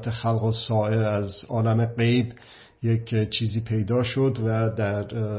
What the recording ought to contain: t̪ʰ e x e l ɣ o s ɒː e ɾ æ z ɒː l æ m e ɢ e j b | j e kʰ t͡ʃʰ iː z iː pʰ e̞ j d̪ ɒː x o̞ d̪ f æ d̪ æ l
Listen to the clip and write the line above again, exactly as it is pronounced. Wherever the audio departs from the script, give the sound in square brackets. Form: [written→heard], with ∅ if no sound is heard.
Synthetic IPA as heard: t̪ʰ e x [e→æ] l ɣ o s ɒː e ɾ æ z ɒː l æ m e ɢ e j b | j e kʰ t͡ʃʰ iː z iː pʰ e̞ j d̪ ɒː [x→ʃ] o̞ d̪ [f→v] æ d̪ æ [l→ɾ]